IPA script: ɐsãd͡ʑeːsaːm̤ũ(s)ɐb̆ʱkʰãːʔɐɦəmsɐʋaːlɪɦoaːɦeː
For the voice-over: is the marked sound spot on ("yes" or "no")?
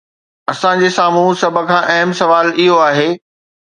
yes